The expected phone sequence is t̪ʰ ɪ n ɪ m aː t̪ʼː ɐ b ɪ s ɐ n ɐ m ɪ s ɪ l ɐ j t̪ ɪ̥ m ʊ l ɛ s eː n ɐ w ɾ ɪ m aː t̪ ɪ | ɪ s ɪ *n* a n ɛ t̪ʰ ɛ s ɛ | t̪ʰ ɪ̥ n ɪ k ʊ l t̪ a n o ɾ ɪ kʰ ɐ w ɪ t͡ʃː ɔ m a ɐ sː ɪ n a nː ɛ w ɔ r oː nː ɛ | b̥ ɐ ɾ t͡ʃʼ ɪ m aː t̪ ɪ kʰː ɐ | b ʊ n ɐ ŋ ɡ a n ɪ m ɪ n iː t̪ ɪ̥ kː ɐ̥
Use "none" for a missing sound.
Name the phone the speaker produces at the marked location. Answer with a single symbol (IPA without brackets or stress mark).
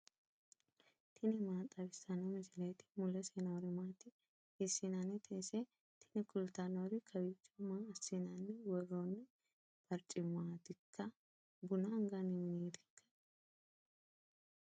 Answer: n